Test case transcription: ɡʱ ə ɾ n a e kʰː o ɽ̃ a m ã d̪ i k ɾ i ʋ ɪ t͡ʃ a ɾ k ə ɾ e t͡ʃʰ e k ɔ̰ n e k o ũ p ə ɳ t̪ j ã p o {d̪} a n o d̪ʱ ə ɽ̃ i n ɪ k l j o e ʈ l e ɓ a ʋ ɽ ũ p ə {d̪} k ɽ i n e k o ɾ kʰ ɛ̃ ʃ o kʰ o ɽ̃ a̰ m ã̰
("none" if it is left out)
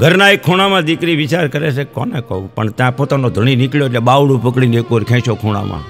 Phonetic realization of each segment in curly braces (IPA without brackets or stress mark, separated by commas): t̪, none